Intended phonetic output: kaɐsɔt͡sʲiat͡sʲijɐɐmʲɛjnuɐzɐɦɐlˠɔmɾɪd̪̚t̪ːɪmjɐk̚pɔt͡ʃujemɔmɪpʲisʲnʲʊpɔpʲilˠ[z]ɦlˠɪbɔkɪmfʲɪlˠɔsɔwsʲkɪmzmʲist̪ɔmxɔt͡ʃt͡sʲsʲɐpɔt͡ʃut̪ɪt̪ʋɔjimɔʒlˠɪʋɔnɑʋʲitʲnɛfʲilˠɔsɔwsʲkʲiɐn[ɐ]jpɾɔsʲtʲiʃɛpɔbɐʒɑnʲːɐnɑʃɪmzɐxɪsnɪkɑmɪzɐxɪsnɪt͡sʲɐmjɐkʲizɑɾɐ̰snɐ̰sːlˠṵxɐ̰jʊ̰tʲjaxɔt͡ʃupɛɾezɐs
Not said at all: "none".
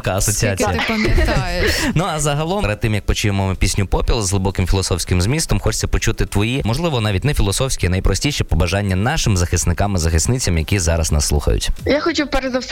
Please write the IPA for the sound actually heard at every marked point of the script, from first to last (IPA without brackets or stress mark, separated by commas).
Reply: z, ɐ